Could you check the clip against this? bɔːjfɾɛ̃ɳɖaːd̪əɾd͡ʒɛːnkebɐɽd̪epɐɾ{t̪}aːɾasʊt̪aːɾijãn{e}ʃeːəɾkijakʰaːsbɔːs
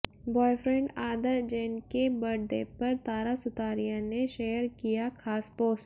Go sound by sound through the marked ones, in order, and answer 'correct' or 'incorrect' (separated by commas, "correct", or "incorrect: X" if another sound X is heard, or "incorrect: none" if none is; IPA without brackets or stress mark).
correct, correct